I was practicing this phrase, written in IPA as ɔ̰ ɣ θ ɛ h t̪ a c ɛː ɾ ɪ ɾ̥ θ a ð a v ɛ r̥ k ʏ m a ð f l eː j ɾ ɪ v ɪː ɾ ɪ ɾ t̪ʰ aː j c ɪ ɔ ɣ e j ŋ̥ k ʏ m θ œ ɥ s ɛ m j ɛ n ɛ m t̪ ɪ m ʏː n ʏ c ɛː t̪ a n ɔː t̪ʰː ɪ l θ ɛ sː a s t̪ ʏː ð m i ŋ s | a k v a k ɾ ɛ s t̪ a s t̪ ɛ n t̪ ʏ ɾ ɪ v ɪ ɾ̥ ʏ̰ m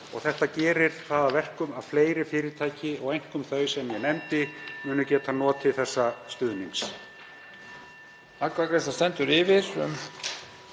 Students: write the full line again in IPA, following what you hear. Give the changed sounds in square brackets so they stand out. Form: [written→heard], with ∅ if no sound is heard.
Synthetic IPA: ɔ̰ ɣ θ ɛ h t̪ a c ɛː ɾ ɪ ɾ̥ θ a ð a v ɛ r̥ k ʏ m a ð f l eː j ɾ ɪ [v→f] ɪː ɾ ɪ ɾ t̪ʰ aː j c ɪ ɔ ɣ e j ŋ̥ k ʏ m θ œ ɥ s ɛ m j ɛ n ɛ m t̪ ɪ m ʏː n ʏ c ɛː t̪ a n ɔː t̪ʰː ɪ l θ ɛ sː a s t̪ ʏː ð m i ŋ s | a k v a k ɾ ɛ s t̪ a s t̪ ɛ n t̪ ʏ ɾ ɪ v ɪ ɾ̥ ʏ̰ m